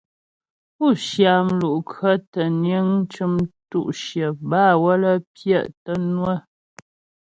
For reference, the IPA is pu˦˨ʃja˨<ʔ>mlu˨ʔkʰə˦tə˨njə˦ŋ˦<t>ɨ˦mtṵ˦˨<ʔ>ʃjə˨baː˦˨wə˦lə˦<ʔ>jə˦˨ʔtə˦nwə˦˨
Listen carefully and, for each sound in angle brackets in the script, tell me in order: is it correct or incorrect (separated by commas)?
incorrect, incorrect, correct, incorrect